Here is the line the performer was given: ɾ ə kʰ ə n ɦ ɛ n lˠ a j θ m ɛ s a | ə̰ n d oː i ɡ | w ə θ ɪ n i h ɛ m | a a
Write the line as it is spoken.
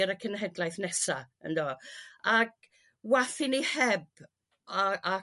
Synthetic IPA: ɾ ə kʰ ə n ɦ ɛ d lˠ a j θ n ɛ s a | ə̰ n d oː a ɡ | w a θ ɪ n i h ɛ b | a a